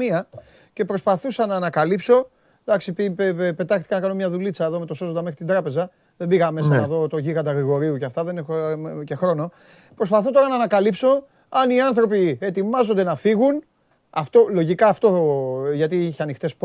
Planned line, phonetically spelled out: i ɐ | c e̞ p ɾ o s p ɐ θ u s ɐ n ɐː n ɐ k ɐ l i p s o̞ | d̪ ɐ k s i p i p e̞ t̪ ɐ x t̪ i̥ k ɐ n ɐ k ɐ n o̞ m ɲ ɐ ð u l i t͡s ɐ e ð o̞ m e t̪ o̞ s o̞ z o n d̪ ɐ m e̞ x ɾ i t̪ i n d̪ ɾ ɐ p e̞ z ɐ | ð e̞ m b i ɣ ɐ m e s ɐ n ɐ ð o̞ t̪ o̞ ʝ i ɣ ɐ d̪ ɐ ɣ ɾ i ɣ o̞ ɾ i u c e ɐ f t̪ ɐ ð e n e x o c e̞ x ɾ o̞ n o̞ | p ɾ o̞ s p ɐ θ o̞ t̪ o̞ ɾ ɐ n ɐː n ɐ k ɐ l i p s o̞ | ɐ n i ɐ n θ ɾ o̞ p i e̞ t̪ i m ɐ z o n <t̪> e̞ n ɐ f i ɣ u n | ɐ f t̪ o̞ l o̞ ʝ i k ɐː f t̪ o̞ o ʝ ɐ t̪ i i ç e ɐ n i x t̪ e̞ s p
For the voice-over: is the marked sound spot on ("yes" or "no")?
no